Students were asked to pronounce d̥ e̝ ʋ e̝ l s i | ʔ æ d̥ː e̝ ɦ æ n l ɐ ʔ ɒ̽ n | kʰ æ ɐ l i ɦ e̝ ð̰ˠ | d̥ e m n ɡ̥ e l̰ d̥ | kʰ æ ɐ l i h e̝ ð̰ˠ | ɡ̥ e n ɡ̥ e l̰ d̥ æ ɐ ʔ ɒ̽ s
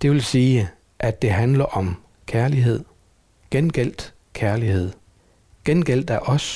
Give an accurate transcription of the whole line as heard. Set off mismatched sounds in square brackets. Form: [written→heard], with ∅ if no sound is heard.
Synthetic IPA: d̥ e̝ ʋ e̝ l s [i→iː] | ʔ æ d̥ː e̝ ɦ æ n l ɐ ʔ ɒ̽ [n→m] | kʰ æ ɐ l i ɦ e̝ ð̰ˠ | [d̥→ɡ̥] e [m→∅] n ɡ̥ e l̰ d̥ | kʰ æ ɐ l i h e̝ ð̰ˠ | ɡ̥ e n ɡ̥ e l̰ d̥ æ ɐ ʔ ɒ̽ s